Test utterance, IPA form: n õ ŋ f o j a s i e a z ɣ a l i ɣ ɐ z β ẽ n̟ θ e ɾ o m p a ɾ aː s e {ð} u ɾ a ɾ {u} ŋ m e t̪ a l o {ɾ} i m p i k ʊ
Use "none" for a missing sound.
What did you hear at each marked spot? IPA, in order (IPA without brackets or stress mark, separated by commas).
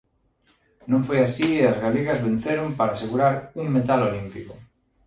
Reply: ɣ, u, l